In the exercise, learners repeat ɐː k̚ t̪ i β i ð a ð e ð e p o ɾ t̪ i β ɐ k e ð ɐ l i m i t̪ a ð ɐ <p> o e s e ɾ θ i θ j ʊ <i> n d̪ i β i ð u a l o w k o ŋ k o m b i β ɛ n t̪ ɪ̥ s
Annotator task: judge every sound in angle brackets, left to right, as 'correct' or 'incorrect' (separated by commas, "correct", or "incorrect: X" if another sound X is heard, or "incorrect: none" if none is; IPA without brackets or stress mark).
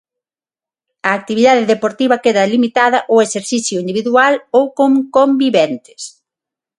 incorrect: ʔ, correct